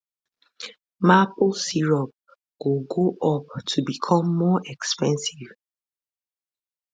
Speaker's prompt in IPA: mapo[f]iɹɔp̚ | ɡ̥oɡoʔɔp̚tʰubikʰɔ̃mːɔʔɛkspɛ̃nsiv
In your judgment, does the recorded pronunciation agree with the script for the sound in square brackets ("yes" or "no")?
no